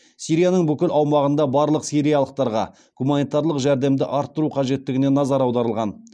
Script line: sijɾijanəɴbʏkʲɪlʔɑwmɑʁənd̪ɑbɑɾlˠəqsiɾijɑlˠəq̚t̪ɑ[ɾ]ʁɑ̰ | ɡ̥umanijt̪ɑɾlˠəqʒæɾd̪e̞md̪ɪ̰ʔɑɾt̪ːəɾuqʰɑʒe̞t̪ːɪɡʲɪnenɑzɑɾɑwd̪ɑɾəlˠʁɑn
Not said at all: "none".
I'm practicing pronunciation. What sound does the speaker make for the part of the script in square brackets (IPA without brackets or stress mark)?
ɾ